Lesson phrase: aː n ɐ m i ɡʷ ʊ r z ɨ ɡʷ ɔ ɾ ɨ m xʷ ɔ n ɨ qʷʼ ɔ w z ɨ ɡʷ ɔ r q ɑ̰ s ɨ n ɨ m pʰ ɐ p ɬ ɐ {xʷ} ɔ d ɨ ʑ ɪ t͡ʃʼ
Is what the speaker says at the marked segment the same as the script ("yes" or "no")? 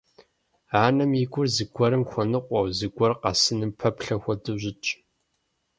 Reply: yes